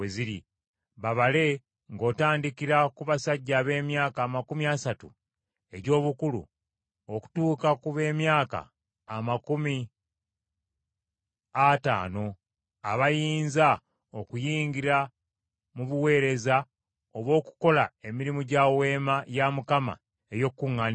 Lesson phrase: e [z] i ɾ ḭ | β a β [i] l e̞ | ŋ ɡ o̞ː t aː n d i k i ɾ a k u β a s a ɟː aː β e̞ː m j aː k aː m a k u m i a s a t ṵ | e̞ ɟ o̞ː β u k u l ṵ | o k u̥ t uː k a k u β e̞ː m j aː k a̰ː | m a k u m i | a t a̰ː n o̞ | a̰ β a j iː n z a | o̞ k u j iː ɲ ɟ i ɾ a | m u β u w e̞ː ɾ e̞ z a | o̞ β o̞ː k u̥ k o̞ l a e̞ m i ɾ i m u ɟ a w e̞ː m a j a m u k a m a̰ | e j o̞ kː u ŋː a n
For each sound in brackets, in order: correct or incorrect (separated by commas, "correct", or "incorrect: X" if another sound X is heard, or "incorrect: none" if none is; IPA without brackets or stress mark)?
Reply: correct, incorrect: a